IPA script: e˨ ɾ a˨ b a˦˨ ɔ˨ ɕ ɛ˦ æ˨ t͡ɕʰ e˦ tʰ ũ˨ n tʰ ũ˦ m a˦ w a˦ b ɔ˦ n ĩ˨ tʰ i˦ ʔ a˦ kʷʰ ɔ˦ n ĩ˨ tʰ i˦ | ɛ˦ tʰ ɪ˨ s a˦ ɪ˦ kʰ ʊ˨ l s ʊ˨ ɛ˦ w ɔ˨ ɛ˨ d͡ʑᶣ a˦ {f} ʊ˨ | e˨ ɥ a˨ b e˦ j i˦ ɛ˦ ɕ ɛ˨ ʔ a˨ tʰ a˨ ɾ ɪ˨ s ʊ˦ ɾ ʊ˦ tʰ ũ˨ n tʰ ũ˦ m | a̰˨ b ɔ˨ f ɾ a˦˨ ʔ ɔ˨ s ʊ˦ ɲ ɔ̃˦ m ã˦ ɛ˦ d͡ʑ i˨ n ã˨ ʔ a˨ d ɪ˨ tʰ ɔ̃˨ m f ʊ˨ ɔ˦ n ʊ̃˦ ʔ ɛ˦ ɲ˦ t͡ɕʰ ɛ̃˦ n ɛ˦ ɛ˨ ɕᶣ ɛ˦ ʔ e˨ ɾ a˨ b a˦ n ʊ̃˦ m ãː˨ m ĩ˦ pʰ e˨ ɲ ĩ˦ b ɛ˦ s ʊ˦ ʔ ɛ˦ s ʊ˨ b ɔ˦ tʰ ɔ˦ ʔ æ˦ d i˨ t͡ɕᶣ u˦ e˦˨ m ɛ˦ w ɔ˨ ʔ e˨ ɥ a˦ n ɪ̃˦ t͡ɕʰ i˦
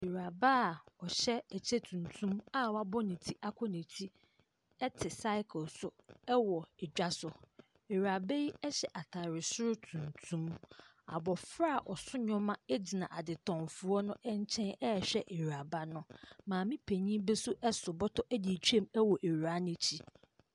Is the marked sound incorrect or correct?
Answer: incorrect